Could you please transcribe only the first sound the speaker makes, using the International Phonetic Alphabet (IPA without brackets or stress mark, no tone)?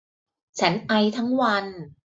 t͡ɕʰ